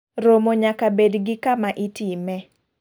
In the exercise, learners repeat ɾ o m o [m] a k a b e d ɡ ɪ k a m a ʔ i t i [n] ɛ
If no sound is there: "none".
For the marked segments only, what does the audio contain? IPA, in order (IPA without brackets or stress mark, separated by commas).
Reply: ɲ, m